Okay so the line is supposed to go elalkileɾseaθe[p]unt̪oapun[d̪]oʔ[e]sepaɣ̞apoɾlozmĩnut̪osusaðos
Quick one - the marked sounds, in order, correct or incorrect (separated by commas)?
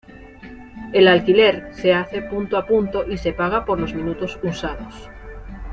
correct, incorrect, incorrect